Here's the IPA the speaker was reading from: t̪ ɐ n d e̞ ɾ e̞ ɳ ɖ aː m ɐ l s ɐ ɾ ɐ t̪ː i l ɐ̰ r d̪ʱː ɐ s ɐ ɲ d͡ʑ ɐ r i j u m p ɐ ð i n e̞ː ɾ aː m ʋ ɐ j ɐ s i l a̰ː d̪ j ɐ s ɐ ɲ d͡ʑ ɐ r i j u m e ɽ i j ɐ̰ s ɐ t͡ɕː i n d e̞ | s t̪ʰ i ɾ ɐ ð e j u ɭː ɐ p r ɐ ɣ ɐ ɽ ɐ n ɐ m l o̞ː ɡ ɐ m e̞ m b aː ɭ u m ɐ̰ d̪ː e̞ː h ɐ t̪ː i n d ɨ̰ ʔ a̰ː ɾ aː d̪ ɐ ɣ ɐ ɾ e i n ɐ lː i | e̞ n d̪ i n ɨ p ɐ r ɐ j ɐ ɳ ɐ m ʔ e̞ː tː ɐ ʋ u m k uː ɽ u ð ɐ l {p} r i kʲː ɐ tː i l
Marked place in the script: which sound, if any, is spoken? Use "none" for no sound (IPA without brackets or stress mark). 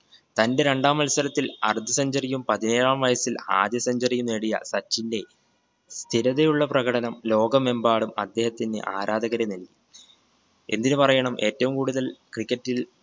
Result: k